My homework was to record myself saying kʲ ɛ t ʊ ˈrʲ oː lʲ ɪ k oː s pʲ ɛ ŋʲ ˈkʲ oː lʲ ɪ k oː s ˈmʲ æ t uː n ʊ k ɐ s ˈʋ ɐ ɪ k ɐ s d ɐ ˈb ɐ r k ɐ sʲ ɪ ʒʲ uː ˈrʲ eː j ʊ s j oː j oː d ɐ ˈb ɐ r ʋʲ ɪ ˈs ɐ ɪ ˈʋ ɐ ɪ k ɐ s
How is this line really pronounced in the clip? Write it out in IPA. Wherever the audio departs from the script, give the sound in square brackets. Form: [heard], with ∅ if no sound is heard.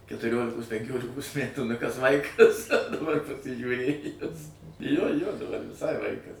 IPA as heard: kʲ ɛ t ʊ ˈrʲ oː lʲ ɪ k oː s pʲ ɛ ŋʲ ˈkʲ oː lʲ ɪ k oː s ˈmʲ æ t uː n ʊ k ɐ s ˈʋ ɐ ɪ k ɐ s d ɐ ˈb ɐ r [p] ɐ sʲ ɪ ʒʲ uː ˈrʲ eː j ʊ s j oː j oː d ɐ ˈb ɐ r ʋʲ ɪ ˈs ɐ ɪ ˈʋ ɐ ɪ k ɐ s